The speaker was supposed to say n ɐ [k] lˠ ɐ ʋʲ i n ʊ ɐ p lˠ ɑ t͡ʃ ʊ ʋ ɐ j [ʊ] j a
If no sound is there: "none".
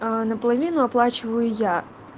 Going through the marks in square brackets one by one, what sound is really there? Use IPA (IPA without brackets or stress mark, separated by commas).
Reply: p, ʊ